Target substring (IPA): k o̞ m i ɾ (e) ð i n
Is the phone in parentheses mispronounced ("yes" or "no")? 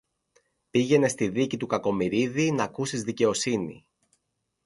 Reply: yes